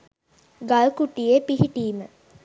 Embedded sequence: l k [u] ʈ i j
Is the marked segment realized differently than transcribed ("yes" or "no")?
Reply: no